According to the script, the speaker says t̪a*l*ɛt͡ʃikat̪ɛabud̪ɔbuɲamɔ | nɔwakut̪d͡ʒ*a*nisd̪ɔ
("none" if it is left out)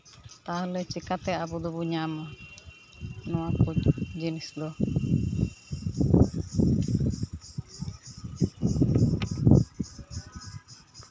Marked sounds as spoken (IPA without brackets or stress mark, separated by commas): l, i